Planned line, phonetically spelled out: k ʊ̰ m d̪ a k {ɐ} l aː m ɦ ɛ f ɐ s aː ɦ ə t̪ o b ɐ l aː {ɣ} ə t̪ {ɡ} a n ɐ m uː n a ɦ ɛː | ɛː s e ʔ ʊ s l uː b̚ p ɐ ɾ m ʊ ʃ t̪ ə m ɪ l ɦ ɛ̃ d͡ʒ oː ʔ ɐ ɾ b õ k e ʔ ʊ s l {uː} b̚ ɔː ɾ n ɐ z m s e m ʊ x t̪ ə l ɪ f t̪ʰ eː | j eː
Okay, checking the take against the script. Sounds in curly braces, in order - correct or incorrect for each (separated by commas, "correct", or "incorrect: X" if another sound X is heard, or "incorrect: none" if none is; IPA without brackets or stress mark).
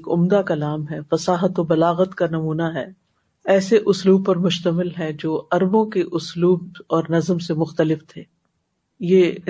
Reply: correct, correct, incorrect: k, correct